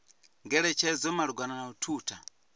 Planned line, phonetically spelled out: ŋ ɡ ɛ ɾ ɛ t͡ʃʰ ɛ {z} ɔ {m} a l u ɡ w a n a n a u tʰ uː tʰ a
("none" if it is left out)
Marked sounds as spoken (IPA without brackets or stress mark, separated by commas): z, m